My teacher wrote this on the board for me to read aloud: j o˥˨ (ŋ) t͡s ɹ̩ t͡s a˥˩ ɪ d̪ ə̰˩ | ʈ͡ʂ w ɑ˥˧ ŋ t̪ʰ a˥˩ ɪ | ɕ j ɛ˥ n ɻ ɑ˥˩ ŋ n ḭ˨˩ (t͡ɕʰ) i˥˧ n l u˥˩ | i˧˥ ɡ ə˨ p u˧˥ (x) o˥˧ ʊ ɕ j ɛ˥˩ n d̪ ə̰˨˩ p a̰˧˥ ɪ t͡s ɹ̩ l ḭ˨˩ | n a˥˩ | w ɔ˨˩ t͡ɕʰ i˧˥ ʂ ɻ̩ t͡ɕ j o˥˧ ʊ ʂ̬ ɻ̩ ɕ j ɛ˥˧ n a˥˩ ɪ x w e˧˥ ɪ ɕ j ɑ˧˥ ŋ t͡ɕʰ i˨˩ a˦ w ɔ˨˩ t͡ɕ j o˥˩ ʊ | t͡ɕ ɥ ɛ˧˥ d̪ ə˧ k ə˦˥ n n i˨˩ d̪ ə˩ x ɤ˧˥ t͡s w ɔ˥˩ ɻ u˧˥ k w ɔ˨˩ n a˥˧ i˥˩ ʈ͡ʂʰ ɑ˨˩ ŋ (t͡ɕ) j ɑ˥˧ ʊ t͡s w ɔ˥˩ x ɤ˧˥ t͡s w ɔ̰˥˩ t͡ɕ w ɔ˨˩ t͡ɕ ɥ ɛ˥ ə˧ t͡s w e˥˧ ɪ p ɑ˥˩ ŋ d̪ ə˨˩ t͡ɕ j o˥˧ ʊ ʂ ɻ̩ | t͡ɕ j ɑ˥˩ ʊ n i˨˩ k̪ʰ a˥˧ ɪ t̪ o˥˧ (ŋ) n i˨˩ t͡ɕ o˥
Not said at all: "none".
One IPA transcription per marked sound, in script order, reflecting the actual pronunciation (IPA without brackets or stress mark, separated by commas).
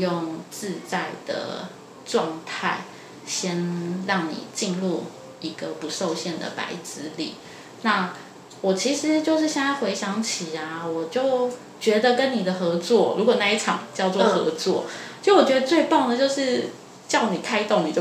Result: ŋ, t͡ɕ, ʂ, t͡ɕ, ŋ